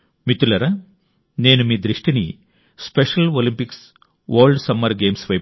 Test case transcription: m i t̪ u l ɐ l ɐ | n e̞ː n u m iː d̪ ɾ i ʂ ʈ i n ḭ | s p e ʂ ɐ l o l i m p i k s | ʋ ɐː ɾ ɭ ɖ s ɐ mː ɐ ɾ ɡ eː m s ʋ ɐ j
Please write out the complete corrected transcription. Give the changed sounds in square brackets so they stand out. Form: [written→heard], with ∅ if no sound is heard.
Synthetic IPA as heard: m i t̪ u l ɐ [l→ɾ] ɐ | n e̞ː n u m iː d̪ ɾ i ʂ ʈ i n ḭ | s p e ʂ ɐ l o l i m p i k s | ʋ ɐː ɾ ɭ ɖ s ɐ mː ɐ ɾ ɡ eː m s ʋ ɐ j